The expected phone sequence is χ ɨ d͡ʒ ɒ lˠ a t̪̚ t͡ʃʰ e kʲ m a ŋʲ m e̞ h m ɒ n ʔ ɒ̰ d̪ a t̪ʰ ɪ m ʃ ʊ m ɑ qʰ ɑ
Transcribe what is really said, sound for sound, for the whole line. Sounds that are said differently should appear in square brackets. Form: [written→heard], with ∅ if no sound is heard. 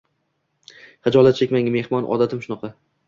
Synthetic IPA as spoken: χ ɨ d͡ʒ ɒ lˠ a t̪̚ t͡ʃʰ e kʲ m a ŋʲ m e̞ h m ɒ n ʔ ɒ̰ d̪ a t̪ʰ ɪ m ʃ ʊ [m→n] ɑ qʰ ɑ